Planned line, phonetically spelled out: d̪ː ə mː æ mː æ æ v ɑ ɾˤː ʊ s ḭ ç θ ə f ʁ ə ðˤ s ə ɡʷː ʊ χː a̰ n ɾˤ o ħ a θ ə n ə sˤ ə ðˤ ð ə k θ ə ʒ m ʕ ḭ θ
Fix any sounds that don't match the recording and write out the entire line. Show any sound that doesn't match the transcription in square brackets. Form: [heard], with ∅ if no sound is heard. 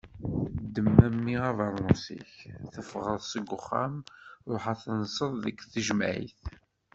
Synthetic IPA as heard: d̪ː ə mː æ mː [i] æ v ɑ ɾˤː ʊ s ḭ ç θ ə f ʁ ə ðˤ s ə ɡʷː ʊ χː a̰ [m] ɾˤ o ħ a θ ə n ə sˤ ə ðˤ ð ə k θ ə ʒ m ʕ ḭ θ